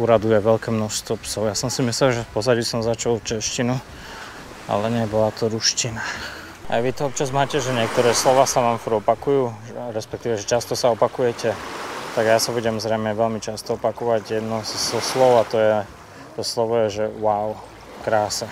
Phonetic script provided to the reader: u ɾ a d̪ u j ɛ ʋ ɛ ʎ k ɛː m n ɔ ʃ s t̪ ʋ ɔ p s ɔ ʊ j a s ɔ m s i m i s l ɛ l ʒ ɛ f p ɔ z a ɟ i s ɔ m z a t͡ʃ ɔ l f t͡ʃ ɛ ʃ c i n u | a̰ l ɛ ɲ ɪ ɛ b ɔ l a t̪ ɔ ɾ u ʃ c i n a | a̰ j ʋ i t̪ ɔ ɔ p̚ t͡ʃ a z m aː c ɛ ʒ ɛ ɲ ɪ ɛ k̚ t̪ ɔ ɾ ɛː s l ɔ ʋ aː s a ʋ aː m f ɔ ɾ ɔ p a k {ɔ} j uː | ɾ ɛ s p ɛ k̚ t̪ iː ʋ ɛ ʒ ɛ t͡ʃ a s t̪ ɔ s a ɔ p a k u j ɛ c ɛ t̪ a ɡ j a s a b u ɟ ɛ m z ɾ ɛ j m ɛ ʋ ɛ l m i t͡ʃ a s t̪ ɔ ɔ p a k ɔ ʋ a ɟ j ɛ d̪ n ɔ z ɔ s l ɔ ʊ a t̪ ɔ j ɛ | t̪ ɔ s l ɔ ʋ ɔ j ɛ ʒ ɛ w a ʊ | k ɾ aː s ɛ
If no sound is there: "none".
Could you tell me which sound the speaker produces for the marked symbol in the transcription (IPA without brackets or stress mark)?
u